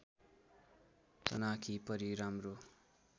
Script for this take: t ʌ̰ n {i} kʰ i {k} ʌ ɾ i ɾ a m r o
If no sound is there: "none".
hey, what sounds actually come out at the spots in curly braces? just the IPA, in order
a, p

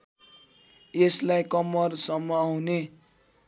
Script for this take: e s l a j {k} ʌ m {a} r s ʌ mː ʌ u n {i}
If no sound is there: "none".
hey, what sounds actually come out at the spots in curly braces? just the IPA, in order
k, ʌ, e

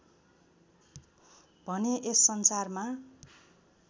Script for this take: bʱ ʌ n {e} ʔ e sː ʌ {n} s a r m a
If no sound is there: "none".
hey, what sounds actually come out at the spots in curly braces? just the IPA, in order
e, n

